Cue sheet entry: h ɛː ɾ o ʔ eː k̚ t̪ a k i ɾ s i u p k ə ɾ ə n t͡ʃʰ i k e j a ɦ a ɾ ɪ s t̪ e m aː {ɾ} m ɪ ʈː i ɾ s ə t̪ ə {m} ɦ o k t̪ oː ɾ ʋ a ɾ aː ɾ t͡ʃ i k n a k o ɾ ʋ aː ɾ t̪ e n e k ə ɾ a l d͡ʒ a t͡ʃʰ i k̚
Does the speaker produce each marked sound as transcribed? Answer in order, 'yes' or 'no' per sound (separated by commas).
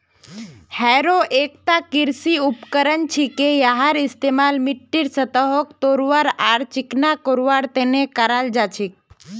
no, no